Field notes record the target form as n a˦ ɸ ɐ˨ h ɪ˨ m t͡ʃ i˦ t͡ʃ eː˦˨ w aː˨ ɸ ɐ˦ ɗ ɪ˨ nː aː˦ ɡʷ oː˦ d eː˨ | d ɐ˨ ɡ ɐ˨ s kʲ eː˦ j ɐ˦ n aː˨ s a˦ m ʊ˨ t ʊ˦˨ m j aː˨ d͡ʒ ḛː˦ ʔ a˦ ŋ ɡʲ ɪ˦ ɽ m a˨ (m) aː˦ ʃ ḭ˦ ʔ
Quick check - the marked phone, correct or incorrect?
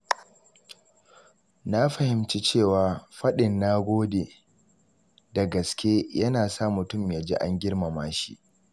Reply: correct